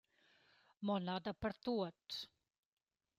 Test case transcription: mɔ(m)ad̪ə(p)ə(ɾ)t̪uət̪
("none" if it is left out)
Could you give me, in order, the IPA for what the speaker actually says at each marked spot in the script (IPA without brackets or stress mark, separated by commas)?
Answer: n, p, ɾ